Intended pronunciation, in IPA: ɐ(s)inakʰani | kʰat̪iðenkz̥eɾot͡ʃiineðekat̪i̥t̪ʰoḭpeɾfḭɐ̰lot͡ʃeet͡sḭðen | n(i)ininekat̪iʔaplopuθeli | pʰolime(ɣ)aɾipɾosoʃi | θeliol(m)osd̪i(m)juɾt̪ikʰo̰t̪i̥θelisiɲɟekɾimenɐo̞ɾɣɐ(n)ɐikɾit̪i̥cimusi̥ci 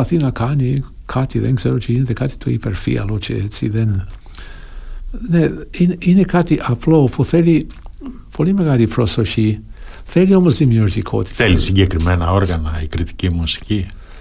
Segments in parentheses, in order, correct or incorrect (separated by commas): incorrect, incorrect, correct, correct, correct, correct